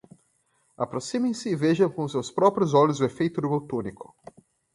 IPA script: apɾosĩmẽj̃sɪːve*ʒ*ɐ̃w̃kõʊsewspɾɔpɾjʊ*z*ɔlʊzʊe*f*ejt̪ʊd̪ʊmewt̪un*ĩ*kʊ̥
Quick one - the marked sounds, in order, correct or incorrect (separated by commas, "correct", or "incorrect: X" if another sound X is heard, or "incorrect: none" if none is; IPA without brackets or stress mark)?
correct, correct, correct, incorrect: i